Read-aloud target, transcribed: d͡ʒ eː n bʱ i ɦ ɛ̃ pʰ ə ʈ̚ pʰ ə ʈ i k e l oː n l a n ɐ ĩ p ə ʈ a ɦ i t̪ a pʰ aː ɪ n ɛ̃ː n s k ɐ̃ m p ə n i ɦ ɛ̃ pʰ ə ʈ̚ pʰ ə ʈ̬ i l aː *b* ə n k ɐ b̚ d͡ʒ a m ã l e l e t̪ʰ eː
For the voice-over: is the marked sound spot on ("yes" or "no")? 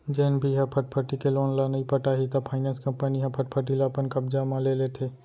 no